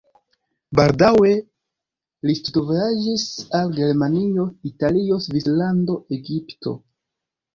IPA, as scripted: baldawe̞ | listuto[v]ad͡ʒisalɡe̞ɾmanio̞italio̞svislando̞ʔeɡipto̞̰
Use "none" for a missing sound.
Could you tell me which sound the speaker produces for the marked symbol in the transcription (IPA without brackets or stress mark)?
v